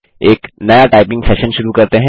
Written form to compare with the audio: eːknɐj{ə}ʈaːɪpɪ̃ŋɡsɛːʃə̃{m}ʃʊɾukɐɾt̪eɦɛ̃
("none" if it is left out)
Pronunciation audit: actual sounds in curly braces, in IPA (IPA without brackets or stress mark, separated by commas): a, n